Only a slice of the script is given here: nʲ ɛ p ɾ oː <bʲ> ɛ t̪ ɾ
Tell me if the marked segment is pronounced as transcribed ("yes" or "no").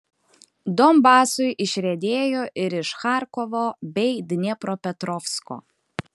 no